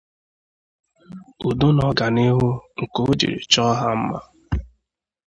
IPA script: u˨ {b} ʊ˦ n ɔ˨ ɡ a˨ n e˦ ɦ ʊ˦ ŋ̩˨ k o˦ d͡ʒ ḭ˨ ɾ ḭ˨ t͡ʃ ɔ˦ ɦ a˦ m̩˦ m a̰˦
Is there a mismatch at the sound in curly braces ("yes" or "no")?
yes